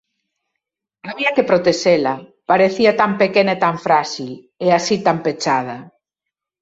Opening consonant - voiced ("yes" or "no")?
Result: yes